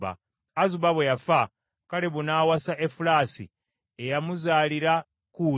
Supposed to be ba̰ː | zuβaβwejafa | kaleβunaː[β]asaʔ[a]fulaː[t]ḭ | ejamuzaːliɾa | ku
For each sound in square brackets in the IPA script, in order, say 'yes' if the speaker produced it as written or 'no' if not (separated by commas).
no, no, no